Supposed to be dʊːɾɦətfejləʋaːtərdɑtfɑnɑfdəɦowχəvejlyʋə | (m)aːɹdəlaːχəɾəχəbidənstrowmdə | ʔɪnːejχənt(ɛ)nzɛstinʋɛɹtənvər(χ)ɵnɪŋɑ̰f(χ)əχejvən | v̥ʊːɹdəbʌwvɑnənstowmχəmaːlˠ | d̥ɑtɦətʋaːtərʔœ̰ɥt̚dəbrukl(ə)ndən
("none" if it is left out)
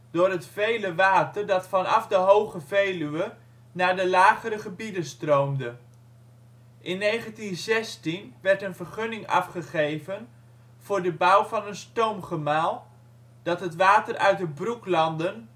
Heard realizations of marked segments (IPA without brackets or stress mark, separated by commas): n, i, χ, χ, ɑ